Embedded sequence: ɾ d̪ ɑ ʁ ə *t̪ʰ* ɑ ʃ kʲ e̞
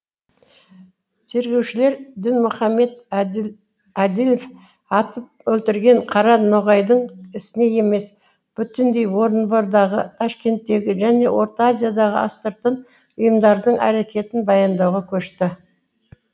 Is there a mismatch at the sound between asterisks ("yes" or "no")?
no